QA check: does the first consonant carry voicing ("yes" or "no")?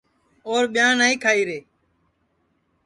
yes